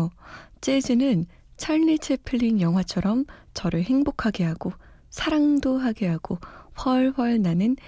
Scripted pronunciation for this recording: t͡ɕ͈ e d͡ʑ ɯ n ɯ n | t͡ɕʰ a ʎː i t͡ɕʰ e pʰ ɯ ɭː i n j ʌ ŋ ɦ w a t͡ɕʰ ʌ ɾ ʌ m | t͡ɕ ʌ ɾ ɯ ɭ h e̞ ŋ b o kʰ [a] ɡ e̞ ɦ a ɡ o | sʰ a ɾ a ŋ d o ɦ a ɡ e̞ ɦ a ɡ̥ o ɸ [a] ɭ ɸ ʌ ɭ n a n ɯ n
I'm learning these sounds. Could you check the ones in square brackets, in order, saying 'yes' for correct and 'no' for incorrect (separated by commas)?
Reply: yes, no